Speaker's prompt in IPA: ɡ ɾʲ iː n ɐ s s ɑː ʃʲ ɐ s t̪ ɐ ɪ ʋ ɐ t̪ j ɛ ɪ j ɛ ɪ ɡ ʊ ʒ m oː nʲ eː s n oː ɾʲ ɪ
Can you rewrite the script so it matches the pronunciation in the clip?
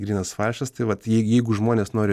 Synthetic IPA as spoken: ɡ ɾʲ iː n ɐ s f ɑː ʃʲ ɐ s t̪ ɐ ɪ ʋ ɐ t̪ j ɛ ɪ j ɛ ɪ ɡ ʊ ʒ m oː nʲ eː s n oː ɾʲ ɪ

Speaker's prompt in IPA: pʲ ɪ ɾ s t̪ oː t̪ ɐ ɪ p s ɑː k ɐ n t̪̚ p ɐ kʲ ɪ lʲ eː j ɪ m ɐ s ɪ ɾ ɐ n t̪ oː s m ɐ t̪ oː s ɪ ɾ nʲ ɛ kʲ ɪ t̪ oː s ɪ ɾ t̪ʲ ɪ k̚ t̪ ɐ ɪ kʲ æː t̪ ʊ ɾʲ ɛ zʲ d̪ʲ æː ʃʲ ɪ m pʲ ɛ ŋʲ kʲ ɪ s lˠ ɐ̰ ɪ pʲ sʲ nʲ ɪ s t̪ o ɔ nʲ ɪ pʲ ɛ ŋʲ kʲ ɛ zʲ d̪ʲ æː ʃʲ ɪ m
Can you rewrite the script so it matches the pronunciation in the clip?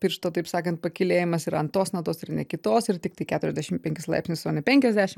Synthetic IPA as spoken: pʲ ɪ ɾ ʃ t̪ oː t̪ ɐ ɪ p s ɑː k ɐ n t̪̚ p ɐ kʲ ɪ lʲ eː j ɪ m ɐ s ɪ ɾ ɐ n t̪ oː s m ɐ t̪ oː s ɪ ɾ nʲ ɛ kʲ ɪ t̪ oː s ɪ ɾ t̪ʲ ɪ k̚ t̪ ɐ ɪ kʲ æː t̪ ʊ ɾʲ ɛ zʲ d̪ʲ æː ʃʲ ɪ m pʲ ɛ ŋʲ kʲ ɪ s lˠ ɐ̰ ɪ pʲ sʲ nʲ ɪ s t̪ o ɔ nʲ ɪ pʲ ɛ ŋʲ kʲ ɛ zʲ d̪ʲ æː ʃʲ ɪ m

